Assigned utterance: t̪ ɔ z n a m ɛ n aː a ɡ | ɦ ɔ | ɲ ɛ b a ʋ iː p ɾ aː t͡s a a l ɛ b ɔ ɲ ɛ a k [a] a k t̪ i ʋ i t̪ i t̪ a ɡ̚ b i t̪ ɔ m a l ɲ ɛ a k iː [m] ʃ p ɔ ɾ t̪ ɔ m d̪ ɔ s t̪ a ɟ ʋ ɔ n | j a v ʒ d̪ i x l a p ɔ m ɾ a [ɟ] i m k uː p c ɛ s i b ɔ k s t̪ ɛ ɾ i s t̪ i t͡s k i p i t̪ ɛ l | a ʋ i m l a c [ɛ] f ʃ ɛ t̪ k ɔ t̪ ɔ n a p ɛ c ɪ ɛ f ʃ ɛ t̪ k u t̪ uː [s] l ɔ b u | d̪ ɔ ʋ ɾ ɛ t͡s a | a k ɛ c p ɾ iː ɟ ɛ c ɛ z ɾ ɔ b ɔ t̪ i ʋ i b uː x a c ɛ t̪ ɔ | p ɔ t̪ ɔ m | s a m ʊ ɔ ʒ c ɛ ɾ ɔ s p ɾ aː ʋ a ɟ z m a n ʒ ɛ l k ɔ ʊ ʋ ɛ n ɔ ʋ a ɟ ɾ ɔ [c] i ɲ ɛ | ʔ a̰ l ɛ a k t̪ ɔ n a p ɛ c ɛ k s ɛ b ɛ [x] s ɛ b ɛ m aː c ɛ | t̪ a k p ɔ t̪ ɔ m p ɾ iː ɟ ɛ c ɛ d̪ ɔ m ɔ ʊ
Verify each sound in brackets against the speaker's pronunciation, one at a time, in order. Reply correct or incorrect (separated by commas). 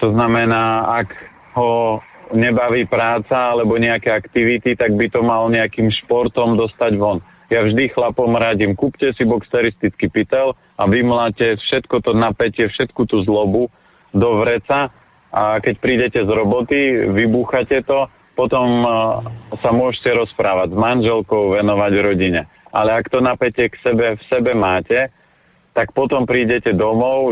incorrect, correct, correct, correct, incorrect, incorrect, incorrect